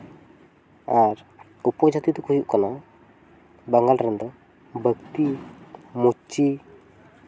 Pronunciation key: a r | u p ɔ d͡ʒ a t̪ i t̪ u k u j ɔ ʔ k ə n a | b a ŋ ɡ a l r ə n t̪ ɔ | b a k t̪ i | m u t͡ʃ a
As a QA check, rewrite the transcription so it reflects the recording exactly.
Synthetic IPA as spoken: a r | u p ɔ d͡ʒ a t̪ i t̪ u k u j u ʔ k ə n a | b a ŋ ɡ a l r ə n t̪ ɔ | b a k t̪ i | m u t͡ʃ i